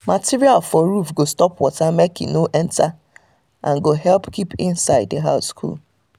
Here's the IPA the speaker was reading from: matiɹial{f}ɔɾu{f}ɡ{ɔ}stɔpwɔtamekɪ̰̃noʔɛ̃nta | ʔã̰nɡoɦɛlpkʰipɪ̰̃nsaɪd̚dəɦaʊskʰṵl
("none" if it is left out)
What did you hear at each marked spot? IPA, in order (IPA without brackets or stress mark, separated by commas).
f, f, o